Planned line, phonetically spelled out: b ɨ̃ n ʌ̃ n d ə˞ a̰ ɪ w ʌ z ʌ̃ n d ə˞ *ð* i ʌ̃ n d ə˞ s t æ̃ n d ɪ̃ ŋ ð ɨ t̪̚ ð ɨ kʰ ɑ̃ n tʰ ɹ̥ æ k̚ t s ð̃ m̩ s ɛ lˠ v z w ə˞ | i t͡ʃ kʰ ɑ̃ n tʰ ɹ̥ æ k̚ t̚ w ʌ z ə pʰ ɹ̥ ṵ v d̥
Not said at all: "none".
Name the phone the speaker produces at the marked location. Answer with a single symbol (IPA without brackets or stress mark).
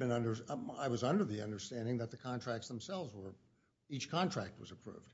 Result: ð